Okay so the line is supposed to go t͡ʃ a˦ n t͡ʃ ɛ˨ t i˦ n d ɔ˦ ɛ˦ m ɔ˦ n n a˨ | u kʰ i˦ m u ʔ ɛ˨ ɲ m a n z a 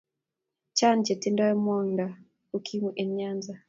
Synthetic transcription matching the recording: t͡ʃ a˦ n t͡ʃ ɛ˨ t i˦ n d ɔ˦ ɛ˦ m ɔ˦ n d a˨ | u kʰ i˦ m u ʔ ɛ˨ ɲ ɲ a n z a